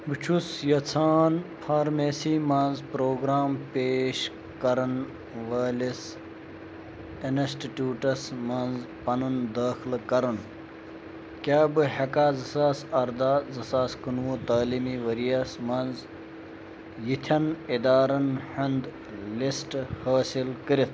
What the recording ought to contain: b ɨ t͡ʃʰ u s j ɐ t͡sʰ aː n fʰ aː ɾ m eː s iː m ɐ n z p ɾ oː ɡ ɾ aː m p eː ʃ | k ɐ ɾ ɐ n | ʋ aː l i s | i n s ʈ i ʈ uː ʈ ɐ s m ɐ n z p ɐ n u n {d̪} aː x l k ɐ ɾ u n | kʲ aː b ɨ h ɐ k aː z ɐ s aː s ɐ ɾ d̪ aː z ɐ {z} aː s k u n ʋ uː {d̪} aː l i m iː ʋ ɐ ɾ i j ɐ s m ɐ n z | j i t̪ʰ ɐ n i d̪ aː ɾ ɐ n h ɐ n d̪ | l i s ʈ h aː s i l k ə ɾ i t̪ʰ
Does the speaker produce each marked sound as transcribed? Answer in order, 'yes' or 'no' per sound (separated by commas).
yes, no, no